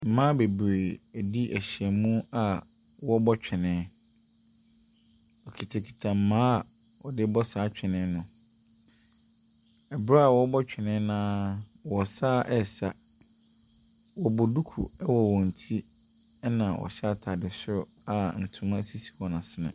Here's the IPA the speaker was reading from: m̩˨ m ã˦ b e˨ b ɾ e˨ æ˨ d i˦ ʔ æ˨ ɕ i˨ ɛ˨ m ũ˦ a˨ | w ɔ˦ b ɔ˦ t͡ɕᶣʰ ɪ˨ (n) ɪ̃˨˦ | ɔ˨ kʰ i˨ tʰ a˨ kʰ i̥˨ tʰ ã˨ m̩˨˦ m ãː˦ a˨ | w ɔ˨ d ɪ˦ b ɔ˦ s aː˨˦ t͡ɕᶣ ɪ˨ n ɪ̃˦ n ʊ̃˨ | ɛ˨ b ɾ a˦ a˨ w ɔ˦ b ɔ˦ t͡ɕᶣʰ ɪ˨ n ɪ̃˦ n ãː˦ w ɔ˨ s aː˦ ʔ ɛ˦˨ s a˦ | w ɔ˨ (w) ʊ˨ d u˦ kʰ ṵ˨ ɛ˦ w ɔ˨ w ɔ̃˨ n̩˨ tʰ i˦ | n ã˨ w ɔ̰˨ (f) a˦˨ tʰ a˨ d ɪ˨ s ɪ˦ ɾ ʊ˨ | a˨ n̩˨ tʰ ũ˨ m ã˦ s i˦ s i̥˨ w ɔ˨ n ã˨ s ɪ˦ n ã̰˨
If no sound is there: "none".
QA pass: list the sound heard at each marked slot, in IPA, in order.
n, b, ɕ

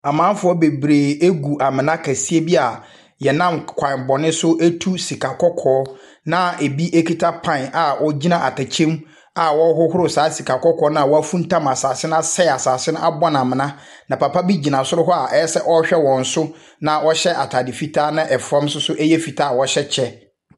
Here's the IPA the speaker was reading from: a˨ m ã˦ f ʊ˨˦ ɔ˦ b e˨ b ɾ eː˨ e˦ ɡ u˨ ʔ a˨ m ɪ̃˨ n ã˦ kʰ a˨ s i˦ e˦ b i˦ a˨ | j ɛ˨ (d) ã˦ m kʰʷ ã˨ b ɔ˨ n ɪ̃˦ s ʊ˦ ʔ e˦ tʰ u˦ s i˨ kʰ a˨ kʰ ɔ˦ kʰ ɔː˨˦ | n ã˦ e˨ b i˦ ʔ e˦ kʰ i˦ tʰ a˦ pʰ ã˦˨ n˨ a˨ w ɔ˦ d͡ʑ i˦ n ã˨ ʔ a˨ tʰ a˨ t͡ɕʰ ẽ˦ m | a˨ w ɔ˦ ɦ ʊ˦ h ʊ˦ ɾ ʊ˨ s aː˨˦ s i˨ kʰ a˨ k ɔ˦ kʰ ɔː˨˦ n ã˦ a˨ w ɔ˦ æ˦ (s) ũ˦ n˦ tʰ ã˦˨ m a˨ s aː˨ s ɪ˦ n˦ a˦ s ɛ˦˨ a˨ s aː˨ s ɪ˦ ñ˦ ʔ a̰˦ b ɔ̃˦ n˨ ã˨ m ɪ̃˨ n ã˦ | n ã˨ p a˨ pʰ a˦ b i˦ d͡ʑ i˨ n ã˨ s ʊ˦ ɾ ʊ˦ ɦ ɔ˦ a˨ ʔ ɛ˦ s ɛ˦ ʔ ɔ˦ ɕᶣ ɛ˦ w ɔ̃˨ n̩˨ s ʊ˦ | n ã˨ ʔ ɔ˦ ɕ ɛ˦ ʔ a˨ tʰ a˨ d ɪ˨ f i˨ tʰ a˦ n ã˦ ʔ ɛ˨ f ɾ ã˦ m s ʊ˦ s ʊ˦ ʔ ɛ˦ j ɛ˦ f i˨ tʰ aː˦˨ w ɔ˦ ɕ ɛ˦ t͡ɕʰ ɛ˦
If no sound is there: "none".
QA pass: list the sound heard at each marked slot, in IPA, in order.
n, f

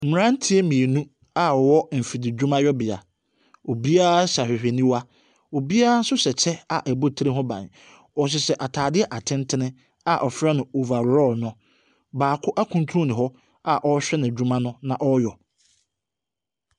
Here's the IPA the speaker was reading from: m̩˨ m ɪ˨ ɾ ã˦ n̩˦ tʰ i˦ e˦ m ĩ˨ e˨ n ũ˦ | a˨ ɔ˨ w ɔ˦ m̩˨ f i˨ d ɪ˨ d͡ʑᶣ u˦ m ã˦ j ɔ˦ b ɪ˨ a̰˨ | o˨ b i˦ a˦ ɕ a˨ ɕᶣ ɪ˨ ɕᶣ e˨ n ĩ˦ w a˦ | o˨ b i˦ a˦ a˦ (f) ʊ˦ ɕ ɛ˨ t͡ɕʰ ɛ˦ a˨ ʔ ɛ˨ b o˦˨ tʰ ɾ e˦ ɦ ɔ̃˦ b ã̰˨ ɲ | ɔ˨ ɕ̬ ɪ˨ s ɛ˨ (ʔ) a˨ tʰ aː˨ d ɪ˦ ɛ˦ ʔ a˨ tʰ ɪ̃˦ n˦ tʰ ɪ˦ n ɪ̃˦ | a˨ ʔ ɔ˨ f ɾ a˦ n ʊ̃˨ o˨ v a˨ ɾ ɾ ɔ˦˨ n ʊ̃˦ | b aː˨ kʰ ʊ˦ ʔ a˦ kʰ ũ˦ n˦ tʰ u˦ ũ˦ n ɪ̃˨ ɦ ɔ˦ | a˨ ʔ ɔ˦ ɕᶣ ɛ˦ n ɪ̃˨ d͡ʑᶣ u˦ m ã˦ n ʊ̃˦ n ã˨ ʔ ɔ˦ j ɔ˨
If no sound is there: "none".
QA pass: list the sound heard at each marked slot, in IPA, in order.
s, ʔ

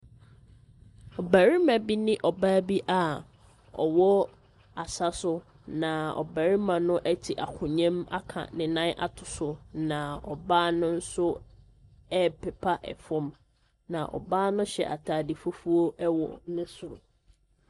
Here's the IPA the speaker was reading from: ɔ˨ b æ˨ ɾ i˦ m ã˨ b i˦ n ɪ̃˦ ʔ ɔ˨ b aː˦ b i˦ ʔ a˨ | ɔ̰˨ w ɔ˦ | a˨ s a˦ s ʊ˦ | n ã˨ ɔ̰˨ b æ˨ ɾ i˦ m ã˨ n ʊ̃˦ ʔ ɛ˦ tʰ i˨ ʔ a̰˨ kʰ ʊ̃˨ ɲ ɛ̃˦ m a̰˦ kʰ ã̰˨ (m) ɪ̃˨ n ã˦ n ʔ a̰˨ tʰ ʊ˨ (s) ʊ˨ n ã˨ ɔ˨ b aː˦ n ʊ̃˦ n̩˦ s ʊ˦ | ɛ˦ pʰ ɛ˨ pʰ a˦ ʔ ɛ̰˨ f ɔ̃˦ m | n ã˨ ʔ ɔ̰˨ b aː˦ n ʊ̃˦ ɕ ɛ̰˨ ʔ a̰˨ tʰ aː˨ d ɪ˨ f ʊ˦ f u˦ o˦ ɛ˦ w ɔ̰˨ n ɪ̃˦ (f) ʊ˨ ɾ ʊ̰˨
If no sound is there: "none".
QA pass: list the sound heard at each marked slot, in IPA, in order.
n, s, s

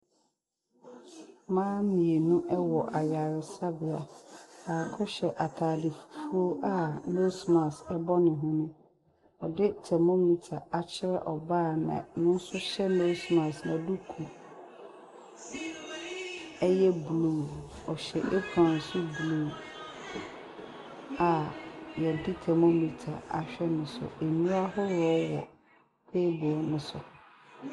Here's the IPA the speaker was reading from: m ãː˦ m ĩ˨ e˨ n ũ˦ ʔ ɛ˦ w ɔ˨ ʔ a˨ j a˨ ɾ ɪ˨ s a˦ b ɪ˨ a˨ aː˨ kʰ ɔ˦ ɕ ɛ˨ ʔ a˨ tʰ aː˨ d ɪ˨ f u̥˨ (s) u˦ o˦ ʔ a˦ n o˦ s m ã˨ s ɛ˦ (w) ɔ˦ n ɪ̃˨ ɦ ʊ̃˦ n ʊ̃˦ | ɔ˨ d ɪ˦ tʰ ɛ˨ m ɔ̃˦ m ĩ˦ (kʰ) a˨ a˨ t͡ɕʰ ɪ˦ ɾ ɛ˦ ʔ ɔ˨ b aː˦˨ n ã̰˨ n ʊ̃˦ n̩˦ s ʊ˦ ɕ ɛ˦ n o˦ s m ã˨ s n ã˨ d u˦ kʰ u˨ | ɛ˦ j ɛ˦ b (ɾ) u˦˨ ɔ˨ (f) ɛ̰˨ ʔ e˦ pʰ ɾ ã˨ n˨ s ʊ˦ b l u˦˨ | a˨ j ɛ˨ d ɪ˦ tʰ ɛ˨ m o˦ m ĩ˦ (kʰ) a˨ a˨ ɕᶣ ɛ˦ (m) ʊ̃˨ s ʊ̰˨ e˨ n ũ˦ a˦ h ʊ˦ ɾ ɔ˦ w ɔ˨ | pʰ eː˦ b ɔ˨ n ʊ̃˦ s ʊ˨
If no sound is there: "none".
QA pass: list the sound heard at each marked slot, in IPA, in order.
f, b, tʰ, l, ɕ, tʰ, n

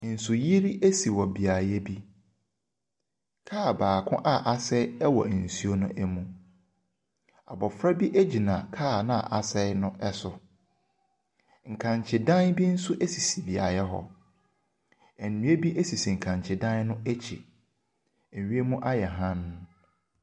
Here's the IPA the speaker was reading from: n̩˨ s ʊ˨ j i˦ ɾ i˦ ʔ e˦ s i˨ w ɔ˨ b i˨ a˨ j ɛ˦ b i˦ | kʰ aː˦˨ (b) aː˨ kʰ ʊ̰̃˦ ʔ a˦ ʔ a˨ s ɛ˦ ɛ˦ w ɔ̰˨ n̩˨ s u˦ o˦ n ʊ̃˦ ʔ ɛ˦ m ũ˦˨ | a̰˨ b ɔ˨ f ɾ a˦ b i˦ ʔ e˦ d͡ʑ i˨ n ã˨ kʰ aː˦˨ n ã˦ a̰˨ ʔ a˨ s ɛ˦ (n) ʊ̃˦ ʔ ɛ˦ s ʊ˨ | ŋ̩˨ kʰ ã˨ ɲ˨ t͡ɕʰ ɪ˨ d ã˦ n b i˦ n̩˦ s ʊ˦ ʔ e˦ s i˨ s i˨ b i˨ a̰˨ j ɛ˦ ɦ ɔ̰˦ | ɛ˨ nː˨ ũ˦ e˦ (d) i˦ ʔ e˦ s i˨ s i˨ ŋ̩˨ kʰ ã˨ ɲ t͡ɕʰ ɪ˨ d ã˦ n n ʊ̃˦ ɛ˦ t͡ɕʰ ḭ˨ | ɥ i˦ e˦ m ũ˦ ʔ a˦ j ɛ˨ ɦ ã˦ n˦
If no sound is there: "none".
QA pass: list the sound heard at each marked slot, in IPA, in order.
b, n, b

